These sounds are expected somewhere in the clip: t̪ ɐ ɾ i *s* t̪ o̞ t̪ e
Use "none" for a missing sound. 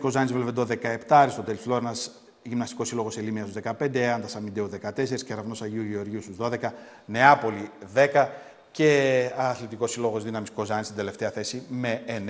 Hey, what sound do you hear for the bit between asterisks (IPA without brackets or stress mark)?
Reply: s